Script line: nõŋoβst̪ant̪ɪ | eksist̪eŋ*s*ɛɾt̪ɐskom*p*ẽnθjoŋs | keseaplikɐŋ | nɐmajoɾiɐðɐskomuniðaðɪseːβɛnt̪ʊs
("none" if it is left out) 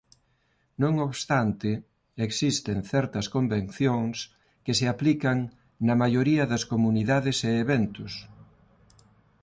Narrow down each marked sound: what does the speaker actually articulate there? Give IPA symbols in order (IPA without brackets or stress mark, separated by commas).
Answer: θ, b